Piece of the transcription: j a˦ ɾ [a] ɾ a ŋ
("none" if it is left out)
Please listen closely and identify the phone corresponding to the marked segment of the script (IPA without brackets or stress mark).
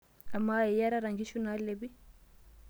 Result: a